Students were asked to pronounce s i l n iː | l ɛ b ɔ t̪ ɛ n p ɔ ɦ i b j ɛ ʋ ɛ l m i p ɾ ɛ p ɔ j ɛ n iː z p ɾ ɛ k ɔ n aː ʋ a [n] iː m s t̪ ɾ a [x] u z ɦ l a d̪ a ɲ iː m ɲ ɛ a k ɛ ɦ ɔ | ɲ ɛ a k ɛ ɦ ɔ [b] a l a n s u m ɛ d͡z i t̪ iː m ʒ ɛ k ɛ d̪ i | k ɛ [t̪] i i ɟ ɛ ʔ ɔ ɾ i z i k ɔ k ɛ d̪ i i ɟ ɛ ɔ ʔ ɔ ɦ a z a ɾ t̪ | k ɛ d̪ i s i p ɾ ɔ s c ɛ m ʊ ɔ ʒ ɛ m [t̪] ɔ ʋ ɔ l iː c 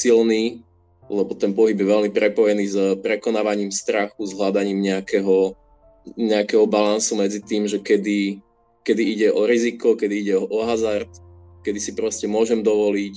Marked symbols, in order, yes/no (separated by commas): no, yes, yes, no, no